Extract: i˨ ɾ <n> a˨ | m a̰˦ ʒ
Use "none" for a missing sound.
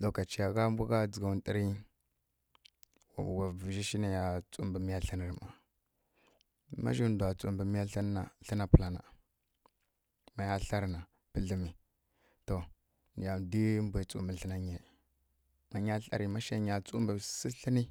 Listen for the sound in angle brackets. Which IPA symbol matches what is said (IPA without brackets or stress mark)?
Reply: m